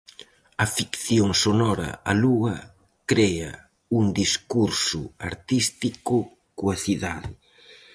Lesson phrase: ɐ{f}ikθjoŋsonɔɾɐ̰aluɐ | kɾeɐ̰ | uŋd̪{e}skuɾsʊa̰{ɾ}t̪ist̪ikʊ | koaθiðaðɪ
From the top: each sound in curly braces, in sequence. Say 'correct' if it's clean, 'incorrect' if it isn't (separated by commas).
correct, incorrect, correct